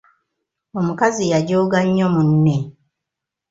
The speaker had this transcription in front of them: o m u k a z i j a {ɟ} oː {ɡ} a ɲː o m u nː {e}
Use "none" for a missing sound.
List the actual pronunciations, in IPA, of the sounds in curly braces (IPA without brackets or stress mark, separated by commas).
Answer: ɟ, ɡ, e